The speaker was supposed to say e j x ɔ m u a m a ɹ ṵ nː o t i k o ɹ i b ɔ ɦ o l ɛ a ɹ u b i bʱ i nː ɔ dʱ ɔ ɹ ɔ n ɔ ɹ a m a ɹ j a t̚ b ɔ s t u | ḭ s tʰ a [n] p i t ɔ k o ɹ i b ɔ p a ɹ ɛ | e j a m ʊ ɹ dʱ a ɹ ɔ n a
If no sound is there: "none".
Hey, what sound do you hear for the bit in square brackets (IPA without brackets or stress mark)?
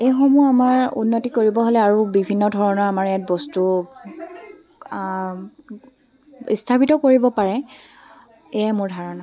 none